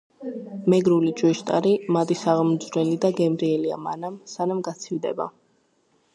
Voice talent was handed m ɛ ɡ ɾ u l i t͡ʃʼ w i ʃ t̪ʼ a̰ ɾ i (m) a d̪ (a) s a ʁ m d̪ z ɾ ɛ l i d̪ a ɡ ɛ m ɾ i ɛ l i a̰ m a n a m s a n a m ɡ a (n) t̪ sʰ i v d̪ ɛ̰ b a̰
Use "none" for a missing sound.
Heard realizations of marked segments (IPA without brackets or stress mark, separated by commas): m, i, none